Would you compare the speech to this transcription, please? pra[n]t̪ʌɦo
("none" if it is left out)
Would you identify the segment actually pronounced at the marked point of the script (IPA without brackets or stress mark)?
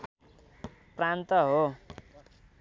n